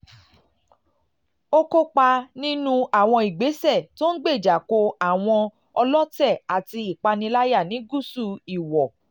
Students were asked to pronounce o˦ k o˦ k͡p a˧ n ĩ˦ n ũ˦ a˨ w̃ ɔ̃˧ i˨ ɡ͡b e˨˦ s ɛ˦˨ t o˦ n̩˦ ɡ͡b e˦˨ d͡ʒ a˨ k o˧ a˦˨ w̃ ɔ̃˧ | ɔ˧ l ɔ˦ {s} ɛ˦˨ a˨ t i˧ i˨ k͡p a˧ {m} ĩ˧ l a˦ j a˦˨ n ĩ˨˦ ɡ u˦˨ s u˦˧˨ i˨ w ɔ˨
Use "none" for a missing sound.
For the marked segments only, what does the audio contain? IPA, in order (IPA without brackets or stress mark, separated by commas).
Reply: t, n